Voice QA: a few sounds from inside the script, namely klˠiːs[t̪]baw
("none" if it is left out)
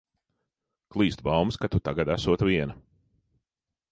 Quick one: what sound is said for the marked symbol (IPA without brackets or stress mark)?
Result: t̪